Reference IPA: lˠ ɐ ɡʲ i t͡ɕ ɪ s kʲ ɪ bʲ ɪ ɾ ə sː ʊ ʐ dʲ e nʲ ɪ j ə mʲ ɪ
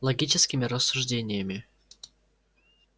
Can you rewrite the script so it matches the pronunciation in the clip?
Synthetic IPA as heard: lˠ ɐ ɡʲ i t͡ɕ ɪ s kʲ ɪ mʲ ɪ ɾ ə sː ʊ ʐ dʲ e nʲ ɪ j ə mʲ ɪ